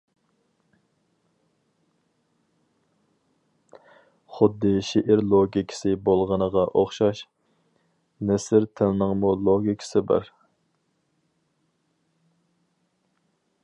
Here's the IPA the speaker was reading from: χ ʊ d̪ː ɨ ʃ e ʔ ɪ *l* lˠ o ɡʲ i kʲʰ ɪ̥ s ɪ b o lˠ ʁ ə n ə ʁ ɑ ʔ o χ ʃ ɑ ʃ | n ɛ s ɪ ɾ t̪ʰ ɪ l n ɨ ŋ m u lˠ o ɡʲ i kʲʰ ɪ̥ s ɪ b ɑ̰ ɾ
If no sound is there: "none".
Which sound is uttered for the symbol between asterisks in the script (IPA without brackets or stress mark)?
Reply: ɾ